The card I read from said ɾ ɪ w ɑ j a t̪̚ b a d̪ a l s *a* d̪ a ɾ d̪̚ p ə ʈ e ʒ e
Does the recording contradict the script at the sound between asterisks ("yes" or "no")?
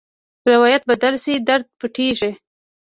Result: yes